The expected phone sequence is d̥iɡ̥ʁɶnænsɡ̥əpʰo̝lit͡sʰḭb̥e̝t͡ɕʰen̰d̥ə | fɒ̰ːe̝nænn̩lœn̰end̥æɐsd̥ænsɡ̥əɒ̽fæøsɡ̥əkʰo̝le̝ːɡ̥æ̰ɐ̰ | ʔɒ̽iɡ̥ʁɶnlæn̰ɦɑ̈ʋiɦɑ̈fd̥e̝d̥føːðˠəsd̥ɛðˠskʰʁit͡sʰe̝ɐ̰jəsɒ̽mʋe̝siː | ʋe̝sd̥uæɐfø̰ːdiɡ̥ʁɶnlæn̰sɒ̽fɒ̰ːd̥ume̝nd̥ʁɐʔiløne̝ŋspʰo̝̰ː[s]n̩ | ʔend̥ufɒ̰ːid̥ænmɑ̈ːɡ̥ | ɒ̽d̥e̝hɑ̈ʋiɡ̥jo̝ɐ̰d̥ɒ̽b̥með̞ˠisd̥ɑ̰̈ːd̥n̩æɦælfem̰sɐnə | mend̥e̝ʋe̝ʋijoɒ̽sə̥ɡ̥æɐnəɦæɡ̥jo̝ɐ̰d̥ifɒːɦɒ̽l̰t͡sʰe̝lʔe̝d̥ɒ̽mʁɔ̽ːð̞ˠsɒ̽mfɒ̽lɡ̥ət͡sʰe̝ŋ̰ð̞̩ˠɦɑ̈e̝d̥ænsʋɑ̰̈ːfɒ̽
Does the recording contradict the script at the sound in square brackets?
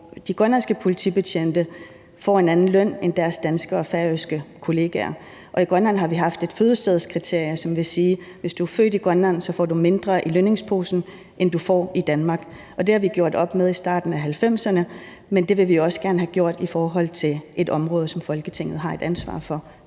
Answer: no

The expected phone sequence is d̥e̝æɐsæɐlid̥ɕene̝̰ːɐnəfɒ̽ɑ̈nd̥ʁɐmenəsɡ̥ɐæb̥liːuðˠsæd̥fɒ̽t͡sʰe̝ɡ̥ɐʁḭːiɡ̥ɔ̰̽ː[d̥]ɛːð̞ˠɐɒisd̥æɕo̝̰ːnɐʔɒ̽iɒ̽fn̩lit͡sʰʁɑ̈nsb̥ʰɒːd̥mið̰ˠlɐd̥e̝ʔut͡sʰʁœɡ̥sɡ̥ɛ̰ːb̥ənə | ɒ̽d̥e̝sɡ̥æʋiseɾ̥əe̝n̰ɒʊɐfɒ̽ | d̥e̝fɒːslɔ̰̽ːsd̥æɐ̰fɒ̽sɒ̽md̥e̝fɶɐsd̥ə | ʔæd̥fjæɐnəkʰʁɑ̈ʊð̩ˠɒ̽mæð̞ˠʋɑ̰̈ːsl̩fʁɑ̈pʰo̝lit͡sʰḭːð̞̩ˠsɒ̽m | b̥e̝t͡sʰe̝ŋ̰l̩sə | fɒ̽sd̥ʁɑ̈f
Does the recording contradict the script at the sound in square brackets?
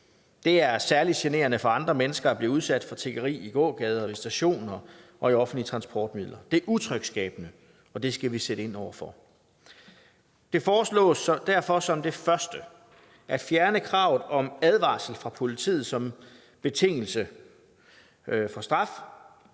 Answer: yes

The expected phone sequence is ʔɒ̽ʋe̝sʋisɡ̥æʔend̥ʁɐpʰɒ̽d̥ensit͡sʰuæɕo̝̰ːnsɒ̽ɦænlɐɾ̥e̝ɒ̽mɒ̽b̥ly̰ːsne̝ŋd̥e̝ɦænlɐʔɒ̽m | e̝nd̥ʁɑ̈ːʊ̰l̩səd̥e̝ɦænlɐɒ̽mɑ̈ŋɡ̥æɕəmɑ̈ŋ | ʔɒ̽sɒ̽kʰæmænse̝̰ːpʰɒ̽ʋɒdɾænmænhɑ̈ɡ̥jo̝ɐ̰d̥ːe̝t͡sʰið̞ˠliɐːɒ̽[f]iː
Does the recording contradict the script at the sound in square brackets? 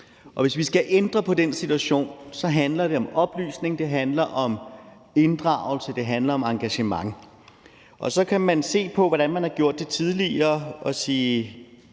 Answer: yes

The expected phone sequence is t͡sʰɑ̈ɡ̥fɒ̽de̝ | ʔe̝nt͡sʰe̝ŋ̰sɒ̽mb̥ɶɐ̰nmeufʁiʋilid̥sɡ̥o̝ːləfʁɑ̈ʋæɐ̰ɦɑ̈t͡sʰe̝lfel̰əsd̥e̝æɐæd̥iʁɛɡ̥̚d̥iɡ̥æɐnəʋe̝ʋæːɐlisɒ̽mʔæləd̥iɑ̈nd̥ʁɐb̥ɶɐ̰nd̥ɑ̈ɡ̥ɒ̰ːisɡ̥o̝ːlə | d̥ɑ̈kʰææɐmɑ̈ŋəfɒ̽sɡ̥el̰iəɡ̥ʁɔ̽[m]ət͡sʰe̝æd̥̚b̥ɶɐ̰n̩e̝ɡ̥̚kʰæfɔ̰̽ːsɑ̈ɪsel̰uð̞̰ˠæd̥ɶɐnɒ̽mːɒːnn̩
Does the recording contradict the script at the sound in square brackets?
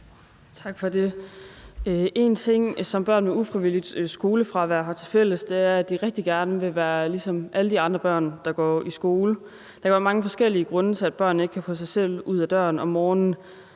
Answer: yes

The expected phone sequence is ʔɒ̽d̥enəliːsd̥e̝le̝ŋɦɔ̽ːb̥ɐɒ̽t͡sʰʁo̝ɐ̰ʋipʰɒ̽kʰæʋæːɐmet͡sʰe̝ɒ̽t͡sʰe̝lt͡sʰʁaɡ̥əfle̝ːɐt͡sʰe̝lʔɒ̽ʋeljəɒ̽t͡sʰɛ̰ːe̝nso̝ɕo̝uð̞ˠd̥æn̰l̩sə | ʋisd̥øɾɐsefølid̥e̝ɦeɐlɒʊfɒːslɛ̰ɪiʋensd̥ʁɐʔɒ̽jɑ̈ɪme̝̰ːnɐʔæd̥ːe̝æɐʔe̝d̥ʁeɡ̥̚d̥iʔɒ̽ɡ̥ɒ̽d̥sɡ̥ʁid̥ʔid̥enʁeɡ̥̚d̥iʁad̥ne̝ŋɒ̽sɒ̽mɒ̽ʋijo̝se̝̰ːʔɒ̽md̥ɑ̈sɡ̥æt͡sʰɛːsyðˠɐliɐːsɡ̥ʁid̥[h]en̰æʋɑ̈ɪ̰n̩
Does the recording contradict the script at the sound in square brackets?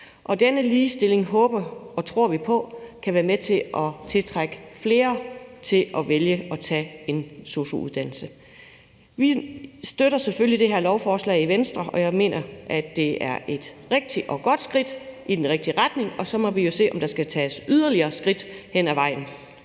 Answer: no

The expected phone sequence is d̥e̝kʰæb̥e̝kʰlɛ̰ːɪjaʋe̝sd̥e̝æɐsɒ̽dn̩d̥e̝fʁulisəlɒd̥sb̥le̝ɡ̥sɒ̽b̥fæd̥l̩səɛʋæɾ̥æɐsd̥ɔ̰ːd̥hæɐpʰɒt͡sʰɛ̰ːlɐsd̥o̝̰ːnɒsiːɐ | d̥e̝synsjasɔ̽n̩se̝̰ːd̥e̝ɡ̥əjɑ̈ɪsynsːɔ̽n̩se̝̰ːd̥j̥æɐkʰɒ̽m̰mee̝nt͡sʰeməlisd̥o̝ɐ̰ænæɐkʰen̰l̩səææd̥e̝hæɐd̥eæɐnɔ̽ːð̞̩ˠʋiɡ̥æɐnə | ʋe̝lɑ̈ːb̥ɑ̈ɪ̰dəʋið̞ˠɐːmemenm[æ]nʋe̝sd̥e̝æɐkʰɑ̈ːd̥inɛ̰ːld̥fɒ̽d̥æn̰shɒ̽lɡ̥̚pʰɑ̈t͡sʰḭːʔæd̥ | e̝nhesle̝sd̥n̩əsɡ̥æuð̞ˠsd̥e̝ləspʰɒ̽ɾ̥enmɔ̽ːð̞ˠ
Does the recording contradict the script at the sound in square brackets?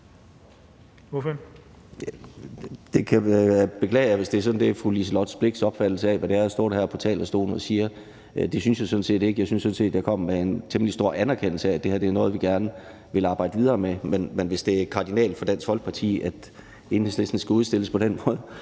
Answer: yes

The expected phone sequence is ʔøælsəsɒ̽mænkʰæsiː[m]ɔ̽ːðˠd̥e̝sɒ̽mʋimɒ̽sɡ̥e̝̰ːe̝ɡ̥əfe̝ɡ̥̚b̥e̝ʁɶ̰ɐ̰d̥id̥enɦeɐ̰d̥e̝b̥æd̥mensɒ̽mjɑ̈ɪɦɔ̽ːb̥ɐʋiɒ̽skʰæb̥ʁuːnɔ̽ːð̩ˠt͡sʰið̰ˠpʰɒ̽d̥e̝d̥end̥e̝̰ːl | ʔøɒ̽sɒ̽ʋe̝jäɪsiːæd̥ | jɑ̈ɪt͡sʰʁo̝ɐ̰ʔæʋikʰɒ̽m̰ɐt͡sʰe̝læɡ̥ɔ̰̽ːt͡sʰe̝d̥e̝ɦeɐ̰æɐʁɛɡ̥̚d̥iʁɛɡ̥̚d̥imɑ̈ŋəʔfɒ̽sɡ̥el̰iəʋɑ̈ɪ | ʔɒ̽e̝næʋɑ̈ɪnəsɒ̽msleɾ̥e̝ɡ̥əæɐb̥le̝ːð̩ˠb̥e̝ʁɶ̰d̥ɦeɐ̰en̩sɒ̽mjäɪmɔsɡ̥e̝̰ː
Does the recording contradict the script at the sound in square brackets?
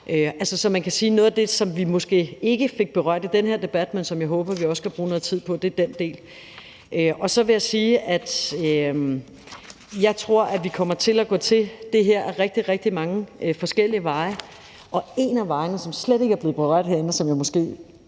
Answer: yes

